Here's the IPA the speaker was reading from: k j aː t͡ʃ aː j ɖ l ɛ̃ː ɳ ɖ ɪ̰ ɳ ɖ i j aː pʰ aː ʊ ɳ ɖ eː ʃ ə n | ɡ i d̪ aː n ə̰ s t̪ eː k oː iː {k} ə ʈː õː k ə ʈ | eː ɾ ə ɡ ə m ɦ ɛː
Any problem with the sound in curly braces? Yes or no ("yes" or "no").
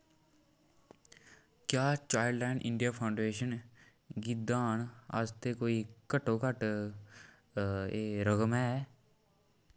no